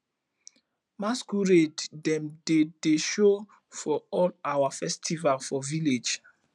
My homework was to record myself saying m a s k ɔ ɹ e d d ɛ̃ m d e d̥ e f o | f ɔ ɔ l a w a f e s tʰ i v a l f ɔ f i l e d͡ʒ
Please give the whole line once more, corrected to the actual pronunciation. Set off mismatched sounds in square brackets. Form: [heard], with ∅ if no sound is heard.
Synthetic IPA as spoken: m a s k [u] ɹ e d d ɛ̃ m d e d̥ e [ʃ] o | f ɔ ɔ l a w a f [ɛ] s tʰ i v a l f ɔ [v] i l e d͡ʒ